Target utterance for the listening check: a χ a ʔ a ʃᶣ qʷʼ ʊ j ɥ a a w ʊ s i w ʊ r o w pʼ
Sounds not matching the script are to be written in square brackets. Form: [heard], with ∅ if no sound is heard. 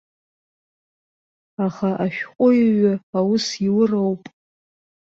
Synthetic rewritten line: a χ a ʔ a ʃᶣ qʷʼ ʊ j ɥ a a w ʊ s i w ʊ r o w pʼ